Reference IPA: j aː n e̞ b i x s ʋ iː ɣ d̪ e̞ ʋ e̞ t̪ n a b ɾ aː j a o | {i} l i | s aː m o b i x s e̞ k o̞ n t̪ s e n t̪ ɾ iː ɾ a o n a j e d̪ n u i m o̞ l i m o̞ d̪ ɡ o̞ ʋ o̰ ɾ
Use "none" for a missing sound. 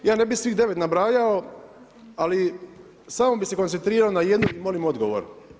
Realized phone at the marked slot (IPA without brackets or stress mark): a